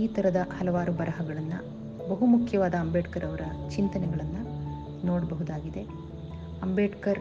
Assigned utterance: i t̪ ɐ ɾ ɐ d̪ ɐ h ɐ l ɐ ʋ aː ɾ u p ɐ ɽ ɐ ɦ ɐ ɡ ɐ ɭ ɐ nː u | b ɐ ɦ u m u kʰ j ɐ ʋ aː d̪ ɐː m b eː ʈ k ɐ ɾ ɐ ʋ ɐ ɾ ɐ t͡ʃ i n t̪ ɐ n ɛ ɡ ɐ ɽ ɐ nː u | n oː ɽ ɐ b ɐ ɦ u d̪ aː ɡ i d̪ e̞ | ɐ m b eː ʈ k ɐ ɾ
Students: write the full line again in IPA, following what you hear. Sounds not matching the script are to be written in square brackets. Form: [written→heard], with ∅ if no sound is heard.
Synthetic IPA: [i→iː] t̪ ɐ ɾ ɐ d̪ ɐ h ɐ l ɐ ʋ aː ɾ u [p→b] ɐ [ɽ→ɾ] ɐ ɦ ɐ ɡ ɐ ɭ ɐ nː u | b ɐ ɦ u m u kʰ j ɐ ʋ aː d̪ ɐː m b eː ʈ k ɐ ɾ ɐ ʋ ɐ ɾ ɐ t͡ʃ i n t̪ ɐ n ɛ ɡ ɐ [ɽ→ɭ] ɐ nː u | n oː ɽ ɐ b ɐ ɦ u d̪ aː ɡ i d̪ e̞ | ɐ m b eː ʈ k ɐ ɾ